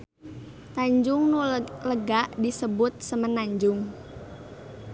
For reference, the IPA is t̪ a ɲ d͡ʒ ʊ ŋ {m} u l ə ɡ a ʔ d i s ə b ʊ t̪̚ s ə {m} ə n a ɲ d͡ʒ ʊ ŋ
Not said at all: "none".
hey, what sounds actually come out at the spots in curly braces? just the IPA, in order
n, m

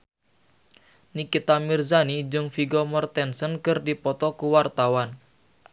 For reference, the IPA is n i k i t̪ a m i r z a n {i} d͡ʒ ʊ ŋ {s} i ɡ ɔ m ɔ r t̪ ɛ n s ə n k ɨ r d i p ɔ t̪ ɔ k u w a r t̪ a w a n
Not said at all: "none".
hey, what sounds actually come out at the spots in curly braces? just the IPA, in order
i, f

